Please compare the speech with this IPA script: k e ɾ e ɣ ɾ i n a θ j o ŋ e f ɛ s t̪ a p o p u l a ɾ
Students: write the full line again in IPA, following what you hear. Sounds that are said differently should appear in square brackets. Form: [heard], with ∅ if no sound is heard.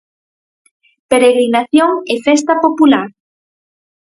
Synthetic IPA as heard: [p] e ɾ e ɣ ɾ i n a θ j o ŋ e f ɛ s t̪ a p o p u l a ɾ